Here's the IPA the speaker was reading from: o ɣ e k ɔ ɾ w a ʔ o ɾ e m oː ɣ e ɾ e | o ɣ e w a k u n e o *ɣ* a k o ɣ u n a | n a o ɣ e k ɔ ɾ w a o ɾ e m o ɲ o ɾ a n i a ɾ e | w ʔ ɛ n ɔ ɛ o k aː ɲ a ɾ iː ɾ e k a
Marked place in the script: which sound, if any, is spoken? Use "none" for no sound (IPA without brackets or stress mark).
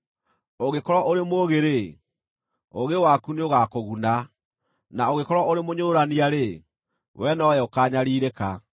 ɣ